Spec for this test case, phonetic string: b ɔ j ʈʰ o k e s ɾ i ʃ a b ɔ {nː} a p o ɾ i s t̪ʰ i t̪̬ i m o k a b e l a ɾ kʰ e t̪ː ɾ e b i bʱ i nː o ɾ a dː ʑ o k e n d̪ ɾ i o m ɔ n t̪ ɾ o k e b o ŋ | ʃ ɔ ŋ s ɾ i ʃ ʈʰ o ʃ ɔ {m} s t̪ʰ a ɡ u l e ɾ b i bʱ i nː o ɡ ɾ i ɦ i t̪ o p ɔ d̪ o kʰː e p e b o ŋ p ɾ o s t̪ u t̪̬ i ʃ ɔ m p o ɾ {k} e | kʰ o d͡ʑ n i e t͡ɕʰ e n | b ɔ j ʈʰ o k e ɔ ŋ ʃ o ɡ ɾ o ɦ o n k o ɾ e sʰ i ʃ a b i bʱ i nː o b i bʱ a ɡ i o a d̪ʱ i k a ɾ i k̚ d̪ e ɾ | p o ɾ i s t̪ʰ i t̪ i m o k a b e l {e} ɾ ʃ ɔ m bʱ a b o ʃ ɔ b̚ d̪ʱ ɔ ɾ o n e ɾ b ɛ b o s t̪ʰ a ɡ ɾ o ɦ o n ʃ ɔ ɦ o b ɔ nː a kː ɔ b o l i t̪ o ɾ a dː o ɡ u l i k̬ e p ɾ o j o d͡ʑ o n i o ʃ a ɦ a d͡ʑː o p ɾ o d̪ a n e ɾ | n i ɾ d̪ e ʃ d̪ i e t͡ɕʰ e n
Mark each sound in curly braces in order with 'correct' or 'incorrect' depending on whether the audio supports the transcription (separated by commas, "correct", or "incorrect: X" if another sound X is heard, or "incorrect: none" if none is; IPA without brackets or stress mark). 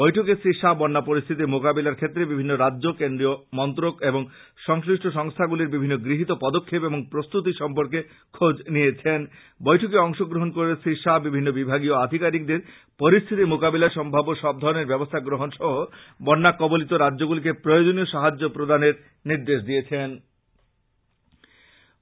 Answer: correct, incorrect: ŋ, correct, incorrect: a